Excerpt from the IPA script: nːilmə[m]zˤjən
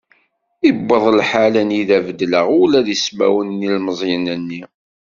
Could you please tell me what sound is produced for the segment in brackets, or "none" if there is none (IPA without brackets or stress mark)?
none